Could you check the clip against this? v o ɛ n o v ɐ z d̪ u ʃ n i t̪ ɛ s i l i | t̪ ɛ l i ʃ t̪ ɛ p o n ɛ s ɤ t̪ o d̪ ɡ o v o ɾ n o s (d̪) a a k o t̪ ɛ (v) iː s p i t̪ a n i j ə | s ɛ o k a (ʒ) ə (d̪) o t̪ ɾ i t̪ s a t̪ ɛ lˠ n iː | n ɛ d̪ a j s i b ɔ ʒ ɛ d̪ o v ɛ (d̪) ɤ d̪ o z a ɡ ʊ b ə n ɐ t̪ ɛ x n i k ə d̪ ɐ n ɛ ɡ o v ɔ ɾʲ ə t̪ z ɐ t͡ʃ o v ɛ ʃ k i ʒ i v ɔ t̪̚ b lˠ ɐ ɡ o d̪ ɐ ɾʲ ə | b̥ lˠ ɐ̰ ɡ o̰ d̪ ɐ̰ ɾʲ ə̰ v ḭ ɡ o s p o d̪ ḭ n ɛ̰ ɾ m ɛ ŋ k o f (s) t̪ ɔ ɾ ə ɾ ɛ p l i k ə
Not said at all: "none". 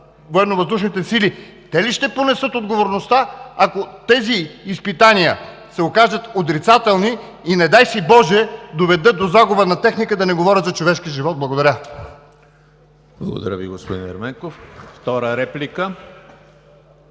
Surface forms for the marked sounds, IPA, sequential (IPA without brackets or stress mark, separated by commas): t̪, z, ʒ, t̪, d̪, f